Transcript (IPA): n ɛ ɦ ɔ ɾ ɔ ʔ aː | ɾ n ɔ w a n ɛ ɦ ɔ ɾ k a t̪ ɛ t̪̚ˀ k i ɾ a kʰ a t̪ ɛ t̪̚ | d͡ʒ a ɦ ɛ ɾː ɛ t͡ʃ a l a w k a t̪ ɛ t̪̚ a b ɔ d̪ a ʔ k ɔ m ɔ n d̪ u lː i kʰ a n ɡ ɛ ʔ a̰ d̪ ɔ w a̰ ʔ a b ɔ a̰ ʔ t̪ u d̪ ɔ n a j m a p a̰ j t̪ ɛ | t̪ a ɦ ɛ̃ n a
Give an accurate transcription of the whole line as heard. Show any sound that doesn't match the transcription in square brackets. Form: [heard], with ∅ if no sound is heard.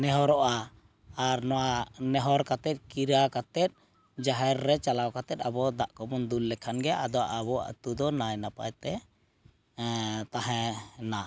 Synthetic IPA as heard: n ɛ ɦ ɔ ɾ ɔ ʔ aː | ɾ n ɔ w a n ɛ ɦ ɔ ɾ k a t̪ ɛ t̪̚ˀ k i ɾ a [k] a t̪ ɛ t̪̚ | d͡ʒ a ɦ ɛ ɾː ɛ t͡ʃ a l a w k a t̪ ɛ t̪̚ a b ɔ d̪ a ʔ k ɔ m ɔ n d̪ u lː [ɛ] kʰ a n ɡ ɛ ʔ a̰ d̪ ɔ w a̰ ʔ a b ɔ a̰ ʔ t̪ u d̪ ɔ n a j [n] a p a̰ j t̪ ɛ | t̪ a ɦ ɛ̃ n a